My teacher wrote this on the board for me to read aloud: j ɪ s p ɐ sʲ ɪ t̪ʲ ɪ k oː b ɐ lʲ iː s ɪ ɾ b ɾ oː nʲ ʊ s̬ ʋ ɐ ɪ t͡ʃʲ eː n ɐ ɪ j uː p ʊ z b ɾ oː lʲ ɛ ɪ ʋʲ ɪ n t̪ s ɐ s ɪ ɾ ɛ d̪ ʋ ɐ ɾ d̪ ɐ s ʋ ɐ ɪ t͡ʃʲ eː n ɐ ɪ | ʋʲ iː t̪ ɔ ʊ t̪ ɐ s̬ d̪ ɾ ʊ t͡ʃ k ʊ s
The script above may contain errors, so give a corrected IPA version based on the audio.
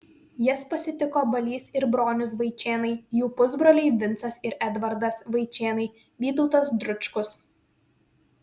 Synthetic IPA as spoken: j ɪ s p ɐ sʲ ɪ t̪ʲ ɪ k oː b ɐ lʲ iː s ɪ ɾ b ɾ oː nʲ ʊ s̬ ʋ ɐ ɪ t͡ʃʲ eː n ɐ ɪ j uː p ʊ z b ɾ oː lʲ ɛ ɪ ʋʲ ɪ n t̪ s ɐ s ɪ ɾ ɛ d̪ ʋ ɐ ɾ d̪ ɐ s ʋ ɐ ɪ t͡ʃʲ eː n ɐ ɪ | ʋʲ iː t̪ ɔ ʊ t̪ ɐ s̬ d̪ ɾ ʊ t͡ʃ k ʊ s